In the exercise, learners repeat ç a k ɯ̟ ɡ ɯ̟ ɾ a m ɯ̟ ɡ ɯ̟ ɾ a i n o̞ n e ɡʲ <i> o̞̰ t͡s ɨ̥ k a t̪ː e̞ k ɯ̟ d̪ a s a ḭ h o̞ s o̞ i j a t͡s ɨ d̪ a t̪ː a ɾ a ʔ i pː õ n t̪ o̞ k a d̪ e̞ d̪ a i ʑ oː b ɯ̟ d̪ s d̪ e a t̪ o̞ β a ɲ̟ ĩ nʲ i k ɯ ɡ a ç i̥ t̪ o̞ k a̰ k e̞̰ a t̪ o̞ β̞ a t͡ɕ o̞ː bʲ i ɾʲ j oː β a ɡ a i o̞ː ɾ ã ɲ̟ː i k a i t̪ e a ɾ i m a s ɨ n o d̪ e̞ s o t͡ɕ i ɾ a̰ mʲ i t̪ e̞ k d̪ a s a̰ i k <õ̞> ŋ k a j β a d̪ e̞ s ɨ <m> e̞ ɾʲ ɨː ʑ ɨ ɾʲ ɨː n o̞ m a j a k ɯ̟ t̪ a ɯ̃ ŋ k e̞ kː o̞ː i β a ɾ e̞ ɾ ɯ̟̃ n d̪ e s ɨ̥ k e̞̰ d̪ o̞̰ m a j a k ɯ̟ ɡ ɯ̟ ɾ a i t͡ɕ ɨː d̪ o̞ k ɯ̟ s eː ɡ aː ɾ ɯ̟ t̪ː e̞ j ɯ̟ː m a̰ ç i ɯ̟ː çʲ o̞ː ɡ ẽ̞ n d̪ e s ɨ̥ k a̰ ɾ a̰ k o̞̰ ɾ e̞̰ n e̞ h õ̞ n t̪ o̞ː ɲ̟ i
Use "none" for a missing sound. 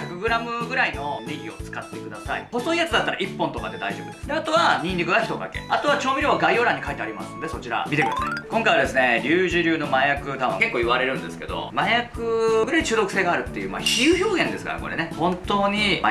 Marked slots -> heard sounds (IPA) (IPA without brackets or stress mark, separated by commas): i, õ̞, n